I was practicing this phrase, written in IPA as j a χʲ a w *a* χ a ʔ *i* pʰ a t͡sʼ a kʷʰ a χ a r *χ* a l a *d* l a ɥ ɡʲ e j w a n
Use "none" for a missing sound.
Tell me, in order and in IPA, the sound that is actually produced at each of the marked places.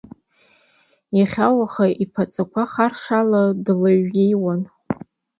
a, i, ʂ, d

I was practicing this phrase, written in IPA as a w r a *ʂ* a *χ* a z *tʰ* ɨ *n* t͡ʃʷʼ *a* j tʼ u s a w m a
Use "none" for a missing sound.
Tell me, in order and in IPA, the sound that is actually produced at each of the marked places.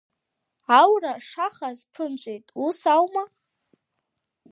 ʂ, χ, pʰ, n, e

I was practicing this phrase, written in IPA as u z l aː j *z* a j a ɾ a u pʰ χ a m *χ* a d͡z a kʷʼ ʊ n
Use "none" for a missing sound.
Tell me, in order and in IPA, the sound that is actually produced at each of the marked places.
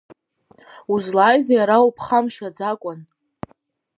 z, ʃ

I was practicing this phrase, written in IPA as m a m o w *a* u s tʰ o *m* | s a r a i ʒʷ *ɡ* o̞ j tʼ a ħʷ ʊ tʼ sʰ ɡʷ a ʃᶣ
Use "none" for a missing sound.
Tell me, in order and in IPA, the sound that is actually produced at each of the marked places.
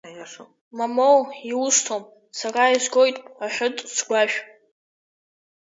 i, m, ɡ

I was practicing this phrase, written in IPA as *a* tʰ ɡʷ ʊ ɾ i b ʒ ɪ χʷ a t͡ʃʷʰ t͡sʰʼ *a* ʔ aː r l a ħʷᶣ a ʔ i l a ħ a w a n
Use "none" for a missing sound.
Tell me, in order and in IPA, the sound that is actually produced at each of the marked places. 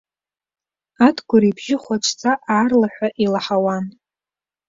a, a

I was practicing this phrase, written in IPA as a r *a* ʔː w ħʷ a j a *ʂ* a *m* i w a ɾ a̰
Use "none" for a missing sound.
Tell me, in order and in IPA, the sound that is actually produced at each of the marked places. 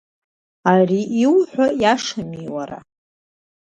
i, ʂ, m

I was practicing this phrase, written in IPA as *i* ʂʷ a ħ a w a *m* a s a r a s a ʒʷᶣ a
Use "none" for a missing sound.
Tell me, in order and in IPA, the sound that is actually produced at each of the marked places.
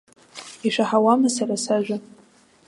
i, m

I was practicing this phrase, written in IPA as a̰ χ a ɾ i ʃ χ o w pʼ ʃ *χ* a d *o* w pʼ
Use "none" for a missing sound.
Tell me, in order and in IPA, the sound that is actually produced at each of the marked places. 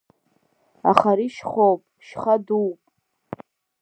χ, u

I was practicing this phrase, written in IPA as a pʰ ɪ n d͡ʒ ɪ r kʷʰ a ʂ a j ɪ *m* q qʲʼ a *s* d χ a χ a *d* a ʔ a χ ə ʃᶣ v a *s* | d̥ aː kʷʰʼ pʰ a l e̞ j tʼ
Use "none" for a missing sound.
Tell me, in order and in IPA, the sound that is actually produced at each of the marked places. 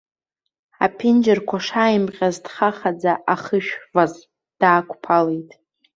m, z, d͡z, z

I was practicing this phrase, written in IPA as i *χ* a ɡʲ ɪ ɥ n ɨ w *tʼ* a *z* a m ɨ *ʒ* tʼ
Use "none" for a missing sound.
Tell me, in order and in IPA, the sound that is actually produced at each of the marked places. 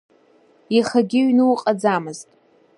χ, qʼ, d͡z, z

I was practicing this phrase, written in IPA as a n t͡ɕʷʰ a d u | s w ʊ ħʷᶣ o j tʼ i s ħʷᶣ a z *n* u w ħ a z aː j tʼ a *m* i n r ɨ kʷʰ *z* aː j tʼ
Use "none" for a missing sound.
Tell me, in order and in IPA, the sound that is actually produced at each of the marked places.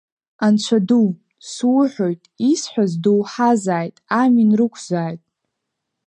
d, m, z

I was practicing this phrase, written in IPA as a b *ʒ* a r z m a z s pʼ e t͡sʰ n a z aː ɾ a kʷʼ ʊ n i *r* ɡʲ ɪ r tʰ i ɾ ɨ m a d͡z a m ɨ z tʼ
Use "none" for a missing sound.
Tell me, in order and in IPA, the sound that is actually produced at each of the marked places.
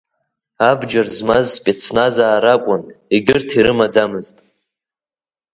d͡ʒ, none

